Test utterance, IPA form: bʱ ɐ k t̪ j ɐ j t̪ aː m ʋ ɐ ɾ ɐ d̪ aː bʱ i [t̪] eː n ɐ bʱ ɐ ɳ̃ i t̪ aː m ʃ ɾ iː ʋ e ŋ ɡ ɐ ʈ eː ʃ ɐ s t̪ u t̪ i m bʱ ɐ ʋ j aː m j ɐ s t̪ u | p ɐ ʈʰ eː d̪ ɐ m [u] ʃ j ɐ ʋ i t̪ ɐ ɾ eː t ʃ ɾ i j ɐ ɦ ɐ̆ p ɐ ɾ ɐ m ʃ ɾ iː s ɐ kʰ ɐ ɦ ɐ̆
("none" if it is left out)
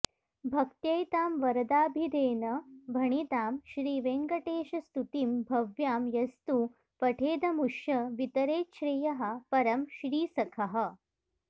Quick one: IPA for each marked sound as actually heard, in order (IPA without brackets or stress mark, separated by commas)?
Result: d̪, u